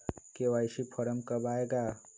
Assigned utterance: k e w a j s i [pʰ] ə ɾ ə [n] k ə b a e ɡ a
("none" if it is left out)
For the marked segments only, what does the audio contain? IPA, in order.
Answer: pʰ, m

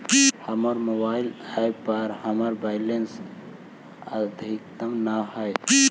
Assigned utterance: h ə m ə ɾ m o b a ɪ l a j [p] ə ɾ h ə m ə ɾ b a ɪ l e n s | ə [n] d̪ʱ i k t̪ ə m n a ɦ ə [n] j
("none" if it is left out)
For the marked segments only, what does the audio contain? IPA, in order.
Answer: p, none, none

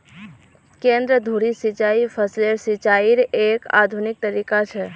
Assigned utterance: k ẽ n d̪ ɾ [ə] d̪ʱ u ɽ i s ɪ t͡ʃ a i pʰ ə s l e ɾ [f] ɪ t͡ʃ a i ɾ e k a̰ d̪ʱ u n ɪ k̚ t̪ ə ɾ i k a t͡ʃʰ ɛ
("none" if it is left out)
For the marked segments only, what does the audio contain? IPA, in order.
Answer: ə, s

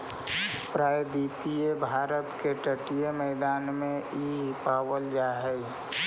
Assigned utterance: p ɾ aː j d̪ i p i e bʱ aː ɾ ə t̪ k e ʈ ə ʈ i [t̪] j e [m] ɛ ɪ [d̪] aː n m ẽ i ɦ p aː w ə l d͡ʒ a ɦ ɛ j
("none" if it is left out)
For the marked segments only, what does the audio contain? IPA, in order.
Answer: none, m, d̪

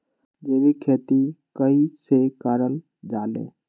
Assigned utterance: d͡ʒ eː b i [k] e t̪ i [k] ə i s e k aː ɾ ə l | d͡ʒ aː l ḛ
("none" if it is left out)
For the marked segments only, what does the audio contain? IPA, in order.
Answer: kʰ, k

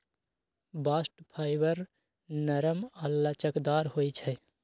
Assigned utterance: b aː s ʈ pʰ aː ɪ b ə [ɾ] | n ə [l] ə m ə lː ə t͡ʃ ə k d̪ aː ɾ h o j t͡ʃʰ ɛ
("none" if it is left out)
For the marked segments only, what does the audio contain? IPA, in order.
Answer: ɾ, ɾ

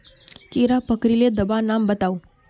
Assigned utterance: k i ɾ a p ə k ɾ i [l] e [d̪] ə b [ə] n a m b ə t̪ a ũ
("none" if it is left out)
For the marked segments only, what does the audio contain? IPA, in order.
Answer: l, d̪, a

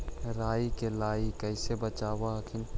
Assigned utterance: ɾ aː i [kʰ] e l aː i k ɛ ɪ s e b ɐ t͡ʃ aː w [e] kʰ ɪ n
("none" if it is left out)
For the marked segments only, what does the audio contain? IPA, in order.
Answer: k, a

